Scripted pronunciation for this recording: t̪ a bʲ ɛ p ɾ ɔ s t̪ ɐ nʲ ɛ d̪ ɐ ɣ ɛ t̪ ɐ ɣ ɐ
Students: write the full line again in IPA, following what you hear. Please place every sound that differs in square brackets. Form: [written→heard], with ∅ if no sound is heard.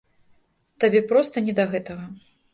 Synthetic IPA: t̪ a bʲ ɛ p ɾ ɔ s t̪ ɐ nʲ ɛ d̪ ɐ ɣ ɛ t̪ ɐ ɣ ɐ